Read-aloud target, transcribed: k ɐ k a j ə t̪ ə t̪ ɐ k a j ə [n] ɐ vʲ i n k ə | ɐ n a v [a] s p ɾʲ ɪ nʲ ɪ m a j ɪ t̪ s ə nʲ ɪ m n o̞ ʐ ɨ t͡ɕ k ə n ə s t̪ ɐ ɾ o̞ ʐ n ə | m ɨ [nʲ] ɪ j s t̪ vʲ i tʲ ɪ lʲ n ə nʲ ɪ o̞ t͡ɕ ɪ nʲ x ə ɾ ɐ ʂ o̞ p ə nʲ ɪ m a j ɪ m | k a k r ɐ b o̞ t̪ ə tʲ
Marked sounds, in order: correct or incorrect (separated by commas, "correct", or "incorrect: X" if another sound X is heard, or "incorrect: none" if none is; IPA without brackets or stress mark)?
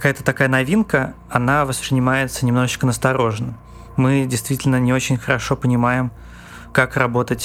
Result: correct, incorrect: ə, incorrect: dʲ